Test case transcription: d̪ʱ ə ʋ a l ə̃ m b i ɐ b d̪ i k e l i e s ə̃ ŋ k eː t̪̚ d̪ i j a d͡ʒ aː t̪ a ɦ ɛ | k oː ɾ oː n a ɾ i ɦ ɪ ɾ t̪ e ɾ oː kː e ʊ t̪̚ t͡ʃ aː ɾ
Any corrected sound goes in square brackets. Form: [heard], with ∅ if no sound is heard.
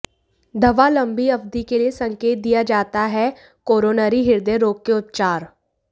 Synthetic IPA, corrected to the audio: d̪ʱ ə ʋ a l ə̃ m b i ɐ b d̪ i k e l i e s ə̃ ŋ k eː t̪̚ d̪ i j a d͡ʒ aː t̪ a ɦ ɛ | k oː ɾ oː n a ɾ i ɦ ɪ ɾ [d̪] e ɾ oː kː e ʊ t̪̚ t͡ʃ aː ɾ